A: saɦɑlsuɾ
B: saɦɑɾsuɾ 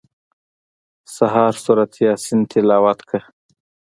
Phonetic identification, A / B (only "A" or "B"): B